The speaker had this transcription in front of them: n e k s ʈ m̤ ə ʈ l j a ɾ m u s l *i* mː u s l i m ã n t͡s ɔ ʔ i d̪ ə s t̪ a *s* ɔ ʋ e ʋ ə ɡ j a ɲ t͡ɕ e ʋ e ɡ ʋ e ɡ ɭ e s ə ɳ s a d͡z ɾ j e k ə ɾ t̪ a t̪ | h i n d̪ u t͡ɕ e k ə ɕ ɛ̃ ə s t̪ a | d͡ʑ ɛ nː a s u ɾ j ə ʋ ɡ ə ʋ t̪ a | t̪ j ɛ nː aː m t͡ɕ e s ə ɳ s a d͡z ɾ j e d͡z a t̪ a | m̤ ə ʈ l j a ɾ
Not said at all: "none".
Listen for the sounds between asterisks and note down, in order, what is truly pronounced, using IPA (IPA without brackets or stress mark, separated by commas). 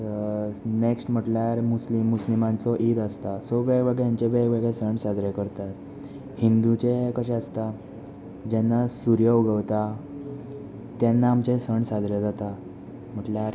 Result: i, s